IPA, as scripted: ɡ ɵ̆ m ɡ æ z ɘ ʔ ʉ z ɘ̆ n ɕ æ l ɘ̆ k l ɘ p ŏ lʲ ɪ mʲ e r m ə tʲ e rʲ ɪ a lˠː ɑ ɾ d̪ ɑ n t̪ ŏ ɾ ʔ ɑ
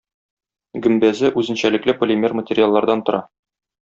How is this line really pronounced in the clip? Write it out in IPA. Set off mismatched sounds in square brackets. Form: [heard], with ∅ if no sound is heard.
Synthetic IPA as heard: ɡ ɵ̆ m [b] æ z ɘ ʔ ʉ z ɘ̆ n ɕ æ l ɘ̆ k l ɘ p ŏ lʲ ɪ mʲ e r m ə tʲ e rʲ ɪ a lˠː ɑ ɾ d̪ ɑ n t̪ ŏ ɾ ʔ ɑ